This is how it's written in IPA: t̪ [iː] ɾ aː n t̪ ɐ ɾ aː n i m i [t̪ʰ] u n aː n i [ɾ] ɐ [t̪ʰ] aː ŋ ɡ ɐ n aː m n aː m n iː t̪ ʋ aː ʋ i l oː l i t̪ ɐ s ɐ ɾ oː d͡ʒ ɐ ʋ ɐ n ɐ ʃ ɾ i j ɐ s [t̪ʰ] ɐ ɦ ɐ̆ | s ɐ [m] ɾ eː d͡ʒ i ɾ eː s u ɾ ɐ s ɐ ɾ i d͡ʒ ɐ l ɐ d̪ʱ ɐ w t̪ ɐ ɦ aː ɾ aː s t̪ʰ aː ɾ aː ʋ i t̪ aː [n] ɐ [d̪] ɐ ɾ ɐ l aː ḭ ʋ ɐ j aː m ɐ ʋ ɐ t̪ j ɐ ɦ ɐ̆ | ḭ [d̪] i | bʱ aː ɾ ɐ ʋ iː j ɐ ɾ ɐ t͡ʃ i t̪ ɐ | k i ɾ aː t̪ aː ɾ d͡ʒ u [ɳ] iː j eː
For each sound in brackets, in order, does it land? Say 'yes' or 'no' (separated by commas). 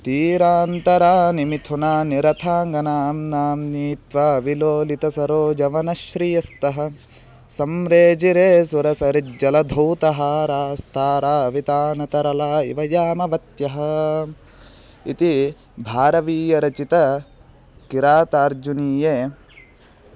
yes, yes, yes, yes, no, yes, yes, no, no, no